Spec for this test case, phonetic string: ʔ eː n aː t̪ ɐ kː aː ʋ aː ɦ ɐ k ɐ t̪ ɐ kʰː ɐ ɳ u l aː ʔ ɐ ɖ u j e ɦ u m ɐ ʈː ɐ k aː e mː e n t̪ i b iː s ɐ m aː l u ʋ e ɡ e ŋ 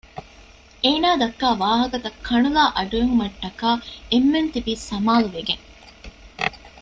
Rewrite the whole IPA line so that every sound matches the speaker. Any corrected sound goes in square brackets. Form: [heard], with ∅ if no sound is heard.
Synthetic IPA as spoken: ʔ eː n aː [d̪] ɐ kː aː ʋ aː ɦ ɐ k ɐ t̪ ɐ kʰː ɐ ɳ u l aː ʔ ɐ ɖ u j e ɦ u m ɐ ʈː ɐ k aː e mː e n t̪ i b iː s ɐ m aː l u ʋ e ɡ e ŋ